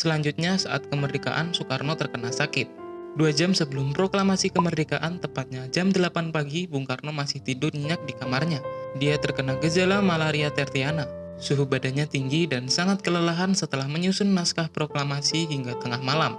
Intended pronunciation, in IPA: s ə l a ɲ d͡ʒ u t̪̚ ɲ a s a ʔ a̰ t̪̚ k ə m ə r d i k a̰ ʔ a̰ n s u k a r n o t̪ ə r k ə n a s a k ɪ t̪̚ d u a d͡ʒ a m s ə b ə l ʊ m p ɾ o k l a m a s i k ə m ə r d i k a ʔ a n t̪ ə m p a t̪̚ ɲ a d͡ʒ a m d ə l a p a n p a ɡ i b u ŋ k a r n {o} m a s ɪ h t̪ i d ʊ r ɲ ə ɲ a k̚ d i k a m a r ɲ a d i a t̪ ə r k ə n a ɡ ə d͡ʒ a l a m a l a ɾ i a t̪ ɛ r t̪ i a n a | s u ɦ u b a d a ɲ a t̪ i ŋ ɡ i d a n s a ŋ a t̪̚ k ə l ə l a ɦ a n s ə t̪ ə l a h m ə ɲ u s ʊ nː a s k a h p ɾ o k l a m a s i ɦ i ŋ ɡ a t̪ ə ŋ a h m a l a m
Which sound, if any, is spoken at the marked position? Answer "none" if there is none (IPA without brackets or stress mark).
o